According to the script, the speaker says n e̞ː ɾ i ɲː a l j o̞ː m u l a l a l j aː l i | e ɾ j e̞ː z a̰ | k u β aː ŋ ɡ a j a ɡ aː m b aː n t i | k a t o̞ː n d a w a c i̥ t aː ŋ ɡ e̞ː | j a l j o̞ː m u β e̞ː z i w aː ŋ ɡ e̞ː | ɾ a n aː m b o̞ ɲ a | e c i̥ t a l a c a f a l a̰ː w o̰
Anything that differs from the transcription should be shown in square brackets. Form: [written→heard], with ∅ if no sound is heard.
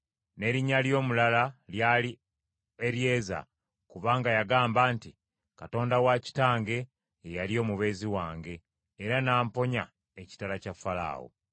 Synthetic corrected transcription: n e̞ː ɾ i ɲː a l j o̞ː m u l a l a l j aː l i | e ɾ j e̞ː z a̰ | k u β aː ŋ ɡ a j a ɡ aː m b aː n t i | k a t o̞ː n d a w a c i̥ t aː ŋ ɡ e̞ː | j a l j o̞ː m u β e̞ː z i w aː ŋ ɡ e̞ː | ɾ a n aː m [b→p] o̞ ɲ a | e c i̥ t a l a c a f a l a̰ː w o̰